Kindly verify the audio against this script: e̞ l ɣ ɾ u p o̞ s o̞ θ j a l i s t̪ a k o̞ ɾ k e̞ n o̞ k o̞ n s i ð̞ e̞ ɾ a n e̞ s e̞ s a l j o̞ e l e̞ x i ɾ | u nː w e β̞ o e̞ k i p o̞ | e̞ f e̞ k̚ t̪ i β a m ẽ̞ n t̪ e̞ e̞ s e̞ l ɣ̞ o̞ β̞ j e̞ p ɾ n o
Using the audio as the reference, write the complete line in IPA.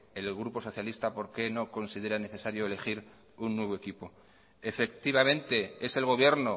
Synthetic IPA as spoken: e̞ l ɣ ɾ u p o̞ s o̞ θ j a l i s t̪ a p o̞ ɾ k e̞ n o̞ k o̞ n s i ð̞ e̞ ɾ a n e̞ θ e̞ s a ɾ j o̞ e l e̞ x i ɾ | u nː w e β̞ o e̞ k i p o̞ | e̞ f e̞ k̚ t̪ i β a m ẽ̞ n t̪ e̞ e̞ s e̞ l ɣ̞ o̞ β̞ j e̞ ɾ n o